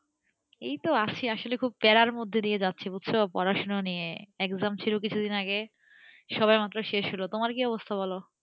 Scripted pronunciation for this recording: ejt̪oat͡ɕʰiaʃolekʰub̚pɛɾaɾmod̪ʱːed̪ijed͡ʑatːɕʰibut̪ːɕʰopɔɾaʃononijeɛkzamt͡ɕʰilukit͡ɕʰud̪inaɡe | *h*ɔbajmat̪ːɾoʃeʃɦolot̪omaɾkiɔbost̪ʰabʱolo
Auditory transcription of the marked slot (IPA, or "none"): ʃ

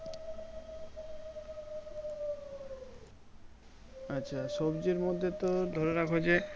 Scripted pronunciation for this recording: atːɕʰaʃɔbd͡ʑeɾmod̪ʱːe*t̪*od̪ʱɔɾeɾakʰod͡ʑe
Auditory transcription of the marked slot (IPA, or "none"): t̪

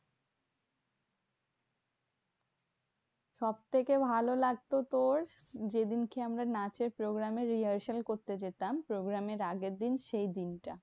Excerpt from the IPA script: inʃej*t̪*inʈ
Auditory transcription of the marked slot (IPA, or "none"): d̪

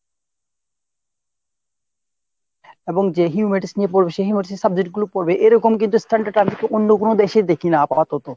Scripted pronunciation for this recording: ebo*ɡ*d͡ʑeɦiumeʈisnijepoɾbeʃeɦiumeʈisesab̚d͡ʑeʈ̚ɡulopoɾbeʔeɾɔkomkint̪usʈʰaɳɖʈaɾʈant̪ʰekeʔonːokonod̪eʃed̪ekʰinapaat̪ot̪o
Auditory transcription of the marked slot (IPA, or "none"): ŋ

